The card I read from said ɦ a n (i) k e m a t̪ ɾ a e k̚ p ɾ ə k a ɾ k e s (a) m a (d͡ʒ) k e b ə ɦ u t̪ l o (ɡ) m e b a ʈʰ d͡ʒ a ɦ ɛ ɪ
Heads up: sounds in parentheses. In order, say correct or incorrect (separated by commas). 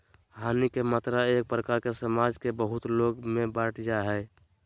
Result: correct, incorrect, correct, correct